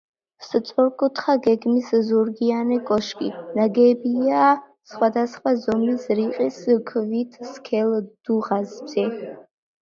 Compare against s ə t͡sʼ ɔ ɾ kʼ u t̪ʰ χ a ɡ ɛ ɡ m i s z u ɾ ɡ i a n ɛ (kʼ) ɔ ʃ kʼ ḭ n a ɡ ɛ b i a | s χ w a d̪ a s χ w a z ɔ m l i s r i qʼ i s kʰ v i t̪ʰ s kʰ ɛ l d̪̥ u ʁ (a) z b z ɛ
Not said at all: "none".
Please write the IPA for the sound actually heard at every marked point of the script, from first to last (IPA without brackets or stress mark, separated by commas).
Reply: kʼ, a